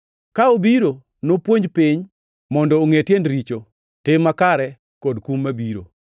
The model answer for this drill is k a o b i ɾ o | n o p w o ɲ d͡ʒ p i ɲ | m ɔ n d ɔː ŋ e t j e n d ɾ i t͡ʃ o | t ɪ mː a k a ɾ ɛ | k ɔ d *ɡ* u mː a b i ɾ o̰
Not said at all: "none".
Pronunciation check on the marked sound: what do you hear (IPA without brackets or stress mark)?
k